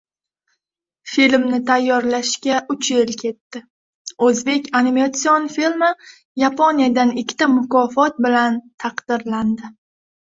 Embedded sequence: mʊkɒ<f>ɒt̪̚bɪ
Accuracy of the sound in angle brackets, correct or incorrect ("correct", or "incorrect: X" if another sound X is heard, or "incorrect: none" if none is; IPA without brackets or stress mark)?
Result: correct